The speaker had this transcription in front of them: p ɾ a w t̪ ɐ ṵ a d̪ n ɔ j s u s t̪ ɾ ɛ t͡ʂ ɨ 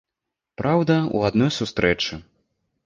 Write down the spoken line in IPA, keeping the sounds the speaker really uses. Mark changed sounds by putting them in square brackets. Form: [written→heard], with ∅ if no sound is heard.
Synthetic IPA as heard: p ɾ a w [t̪→d̪] ɐ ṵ a d̪ n ɔ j s u s t̪ ɾ ɛ t͡ʂ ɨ